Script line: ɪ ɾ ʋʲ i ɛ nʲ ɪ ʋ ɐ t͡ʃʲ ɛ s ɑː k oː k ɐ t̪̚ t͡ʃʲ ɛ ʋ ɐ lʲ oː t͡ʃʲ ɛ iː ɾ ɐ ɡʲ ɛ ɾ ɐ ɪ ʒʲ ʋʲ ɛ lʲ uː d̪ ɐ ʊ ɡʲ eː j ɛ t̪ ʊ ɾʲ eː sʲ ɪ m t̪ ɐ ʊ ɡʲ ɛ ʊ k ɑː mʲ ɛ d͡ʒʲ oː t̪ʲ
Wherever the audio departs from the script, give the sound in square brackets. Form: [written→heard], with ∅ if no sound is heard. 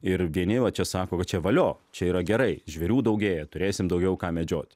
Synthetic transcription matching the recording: ɪ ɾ ʋʲ i ɛ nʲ ɪ ʋ ɐ t͡ʃʲ ɛ s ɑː k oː k ɐ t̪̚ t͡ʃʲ ɛ ʋ ɐ lʲ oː t͡ʃʲ ɛ iː ɾ ɐ ɡʲ ɛ ɾ ɐ ɪ ʒʲ ʋʲ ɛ [lʲ→ɾʲ] uː d̪ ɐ ʊ ɡʲ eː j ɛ t̪ ʊ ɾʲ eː sʲ ɪ m [t̪→d̪] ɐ ʊ ɡʲ ɛ ʊ k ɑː mʲ ɛ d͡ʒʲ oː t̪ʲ